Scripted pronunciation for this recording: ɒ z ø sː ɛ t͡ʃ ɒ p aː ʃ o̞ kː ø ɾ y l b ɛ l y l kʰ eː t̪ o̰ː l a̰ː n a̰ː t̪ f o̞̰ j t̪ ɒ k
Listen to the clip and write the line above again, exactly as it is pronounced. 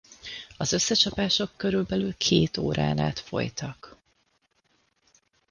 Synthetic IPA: ɒ z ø sː ɛ t͡ʃ ɒ p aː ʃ o̞ kː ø ɾ y l b ɛ l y l kʰ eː t̪ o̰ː ɾ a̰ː n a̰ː t̪ f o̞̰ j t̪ ɒ k